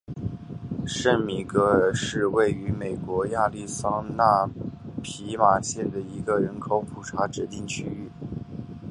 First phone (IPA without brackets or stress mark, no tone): ʂ